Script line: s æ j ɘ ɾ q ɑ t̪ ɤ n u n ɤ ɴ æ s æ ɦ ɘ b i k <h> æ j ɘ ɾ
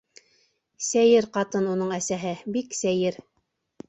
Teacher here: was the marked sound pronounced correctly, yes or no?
no